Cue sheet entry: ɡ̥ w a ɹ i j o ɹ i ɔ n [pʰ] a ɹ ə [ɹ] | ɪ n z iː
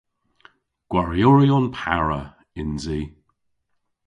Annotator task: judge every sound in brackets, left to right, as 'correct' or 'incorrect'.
correct, incorrect: none

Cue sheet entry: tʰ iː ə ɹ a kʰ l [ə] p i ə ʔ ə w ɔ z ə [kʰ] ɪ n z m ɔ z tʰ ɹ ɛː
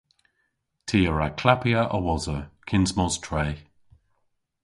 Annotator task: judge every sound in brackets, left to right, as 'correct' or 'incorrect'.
incorrect: a, correct

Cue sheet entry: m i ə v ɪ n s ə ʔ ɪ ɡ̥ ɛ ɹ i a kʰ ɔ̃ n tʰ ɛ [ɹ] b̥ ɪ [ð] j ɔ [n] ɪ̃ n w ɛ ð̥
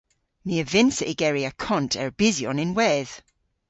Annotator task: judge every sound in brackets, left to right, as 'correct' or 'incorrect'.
correct, incorrect: z, correct

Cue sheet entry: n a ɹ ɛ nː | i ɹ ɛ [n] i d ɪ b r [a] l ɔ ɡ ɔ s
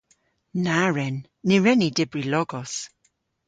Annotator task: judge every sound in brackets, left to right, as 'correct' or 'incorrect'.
correct, incorrect: i

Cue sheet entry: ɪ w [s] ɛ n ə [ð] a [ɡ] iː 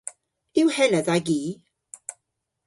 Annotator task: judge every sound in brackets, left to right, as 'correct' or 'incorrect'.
incorrect: h, correct, correct

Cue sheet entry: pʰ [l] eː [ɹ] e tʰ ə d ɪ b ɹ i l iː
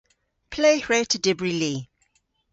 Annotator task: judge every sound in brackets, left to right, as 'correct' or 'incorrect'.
correct, correct

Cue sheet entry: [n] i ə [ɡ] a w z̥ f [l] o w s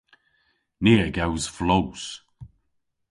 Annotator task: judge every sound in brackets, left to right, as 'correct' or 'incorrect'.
correct, correct, correct

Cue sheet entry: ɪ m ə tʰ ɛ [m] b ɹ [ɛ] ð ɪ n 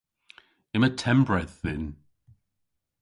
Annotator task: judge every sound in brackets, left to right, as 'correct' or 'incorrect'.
correct, correct

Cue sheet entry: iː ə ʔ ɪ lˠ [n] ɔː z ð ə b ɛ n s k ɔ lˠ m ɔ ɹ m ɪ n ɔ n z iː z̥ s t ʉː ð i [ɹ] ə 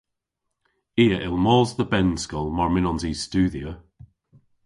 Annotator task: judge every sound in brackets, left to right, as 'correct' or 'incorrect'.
incorrect: m, incorrect: none

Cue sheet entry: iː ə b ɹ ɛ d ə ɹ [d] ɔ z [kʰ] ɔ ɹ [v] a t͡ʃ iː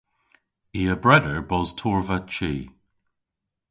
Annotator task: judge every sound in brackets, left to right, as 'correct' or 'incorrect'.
incorrect: b, incorrect: tʰ, correct

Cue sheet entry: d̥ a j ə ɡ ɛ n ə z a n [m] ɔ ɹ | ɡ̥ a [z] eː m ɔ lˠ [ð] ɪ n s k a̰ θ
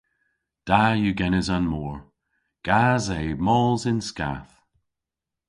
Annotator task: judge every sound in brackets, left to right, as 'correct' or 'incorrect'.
correct, correct, incorrect: z

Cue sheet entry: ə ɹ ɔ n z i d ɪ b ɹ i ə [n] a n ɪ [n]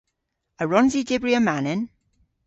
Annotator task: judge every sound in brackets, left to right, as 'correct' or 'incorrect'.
incorrect: m, correct

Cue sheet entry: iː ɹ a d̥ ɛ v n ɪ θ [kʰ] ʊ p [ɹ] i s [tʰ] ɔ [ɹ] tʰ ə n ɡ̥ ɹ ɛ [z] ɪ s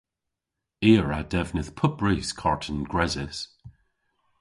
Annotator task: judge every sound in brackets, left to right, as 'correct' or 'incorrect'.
incorrect: pʰ, correct, incorrect: kʰ, correct, correct

